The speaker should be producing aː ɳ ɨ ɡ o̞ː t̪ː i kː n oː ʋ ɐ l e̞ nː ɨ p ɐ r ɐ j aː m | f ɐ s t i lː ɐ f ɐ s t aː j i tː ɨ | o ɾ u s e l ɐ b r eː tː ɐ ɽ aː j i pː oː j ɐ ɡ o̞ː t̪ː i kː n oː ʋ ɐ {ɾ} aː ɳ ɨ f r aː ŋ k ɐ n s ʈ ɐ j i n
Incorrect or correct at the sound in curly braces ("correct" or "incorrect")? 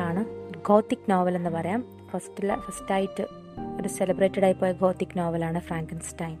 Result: incorrect